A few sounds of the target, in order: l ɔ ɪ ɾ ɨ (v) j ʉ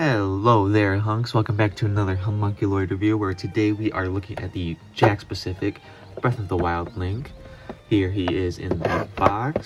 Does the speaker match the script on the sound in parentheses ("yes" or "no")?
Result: yes